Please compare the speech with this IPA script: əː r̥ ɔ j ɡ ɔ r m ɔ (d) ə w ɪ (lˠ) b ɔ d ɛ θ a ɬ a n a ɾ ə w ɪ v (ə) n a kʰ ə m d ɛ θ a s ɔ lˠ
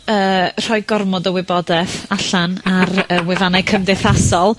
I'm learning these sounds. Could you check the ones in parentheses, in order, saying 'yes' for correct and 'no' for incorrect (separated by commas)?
yes, no, no